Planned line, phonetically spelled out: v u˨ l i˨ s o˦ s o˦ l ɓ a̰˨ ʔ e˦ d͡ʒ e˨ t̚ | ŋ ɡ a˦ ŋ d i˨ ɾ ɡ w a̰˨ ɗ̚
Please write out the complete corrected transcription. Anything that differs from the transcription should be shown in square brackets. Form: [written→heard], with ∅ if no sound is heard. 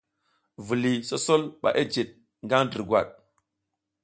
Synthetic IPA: v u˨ l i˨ s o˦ s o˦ l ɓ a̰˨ ʔ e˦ d͡ʒ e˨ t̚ | ŋ ɡ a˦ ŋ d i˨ ɾ ɡ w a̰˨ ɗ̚